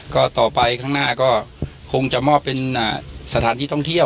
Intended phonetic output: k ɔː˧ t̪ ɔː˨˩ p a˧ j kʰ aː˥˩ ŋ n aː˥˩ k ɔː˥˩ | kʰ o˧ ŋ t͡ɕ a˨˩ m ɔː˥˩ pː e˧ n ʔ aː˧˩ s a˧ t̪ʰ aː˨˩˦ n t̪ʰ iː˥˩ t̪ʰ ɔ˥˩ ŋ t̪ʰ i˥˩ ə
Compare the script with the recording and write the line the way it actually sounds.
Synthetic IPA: k ɔː˥˩ t̪ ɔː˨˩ p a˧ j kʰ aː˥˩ ŋ n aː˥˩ k ɔː˥˩ | kʰ o˧ ŋ t͡ɕ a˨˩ m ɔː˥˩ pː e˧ n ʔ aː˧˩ s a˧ t̪ʰ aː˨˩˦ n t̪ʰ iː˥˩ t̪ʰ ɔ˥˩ ŋ t̪ʰ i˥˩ ə